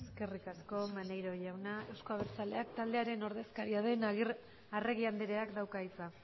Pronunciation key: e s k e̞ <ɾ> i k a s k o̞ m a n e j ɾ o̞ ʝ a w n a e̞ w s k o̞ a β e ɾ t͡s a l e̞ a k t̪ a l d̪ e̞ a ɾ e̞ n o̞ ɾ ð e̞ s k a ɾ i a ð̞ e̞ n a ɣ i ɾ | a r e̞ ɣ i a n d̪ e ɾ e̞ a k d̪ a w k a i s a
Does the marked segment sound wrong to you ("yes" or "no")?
yes